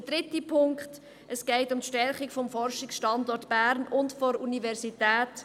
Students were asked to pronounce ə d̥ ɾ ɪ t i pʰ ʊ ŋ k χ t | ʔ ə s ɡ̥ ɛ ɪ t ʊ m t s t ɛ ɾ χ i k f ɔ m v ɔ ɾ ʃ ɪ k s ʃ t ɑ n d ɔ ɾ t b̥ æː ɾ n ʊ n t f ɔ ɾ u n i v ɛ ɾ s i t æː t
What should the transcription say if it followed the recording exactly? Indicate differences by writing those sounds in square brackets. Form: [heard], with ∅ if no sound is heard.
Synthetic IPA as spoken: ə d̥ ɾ ɪ t i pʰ ʊ ŋ k χ t | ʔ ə s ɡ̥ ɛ ɪ t ʊ m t [ʃ] t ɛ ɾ χ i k f ɔ m [f] ɔ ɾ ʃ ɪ k s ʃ t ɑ n d ɔ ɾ t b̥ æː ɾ n ʊ n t f ɔ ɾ u n i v ɛ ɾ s i t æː t